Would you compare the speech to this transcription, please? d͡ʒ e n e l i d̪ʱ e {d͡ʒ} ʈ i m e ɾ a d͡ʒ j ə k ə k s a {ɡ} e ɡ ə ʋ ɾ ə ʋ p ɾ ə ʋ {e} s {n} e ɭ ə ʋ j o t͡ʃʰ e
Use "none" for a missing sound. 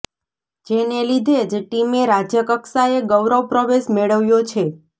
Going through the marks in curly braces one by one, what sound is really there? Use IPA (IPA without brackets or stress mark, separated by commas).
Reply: d͡ʒ, none, e, m